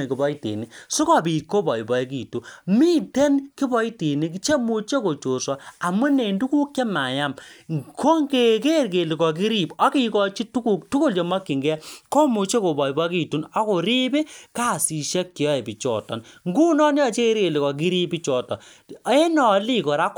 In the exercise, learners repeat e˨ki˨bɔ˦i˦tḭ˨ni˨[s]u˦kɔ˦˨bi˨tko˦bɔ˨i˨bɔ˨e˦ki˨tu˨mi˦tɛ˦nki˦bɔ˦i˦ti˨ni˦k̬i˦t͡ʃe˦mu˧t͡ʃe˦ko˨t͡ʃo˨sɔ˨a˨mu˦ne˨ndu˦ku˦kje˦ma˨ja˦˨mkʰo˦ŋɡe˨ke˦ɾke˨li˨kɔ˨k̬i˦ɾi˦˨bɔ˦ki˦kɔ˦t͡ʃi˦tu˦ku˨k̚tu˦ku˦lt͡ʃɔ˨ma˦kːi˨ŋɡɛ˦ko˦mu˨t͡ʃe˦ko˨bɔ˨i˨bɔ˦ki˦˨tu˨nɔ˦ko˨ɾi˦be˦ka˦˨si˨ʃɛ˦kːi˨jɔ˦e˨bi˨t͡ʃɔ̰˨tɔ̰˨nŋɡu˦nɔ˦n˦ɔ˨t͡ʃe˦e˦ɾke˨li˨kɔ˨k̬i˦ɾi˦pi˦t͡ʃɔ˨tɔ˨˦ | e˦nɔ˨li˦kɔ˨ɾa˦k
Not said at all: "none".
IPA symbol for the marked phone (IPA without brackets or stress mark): s